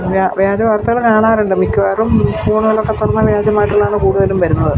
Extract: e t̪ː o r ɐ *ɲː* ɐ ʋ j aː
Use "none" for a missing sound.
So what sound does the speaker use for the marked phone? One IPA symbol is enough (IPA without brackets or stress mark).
nː